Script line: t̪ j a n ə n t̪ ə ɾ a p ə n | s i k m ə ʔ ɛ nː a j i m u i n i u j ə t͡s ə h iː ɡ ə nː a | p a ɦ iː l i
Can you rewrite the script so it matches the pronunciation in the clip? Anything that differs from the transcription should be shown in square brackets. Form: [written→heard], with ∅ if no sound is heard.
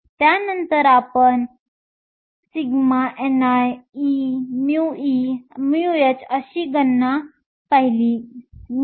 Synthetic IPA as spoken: t̪ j a n ə n t̪ ə ɾ a p ə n | s i [k→ɡ] m [ə→a] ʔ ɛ [nː→n] a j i m u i [n→m] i u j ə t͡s ə [h→ɕ] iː ɡ ə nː a | p a ɦ [iː→i] l i